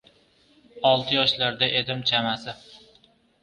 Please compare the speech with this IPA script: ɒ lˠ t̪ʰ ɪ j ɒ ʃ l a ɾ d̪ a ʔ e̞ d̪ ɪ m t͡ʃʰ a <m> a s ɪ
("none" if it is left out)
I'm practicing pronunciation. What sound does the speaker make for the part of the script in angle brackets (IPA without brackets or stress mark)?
m